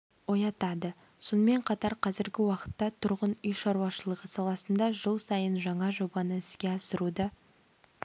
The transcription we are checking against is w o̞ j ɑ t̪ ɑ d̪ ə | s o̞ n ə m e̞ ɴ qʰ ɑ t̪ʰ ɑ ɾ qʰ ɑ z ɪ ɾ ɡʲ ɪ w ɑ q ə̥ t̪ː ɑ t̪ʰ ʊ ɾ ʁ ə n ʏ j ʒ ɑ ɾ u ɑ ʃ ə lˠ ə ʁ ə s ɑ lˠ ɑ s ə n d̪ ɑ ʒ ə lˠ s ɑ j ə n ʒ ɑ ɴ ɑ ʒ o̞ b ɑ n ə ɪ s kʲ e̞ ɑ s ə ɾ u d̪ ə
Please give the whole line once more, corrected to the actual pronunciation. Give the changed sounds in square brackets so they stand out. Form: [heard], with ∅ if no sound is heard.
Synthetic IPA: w o̞ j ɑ t̪ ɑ d̪ ə | s o̞ n ə m e̞ ɴ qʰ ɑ [t̪] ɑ ɾ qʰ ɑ z ɪ ɾ ɡʲ ɪ w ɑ q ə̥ t̪ː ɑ t̪ʰ ʊ ɾ ʁ ə n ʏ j [ʃ] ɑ ɾ u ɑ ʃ ə lˠ ə ʁ ə s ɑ lˠ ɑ s ə n d̪ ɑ ʒ ə lˠ s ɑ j ə n ʒ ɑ ɴ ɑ ʒ o̞ b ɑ n ə ɪ s kʲ e̞ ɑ s ə ɾ u d̪ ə